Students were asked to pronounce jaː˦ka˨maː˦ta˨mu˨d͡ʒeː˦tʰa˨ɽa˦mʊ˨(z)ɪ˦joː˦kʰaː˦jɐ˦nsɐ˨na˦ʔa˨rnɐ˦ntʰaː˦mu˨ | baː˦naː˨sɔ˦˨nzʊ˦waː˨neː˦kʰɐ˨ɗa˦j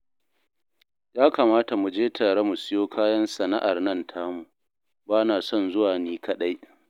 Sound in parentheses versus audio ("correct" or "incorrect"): incorrect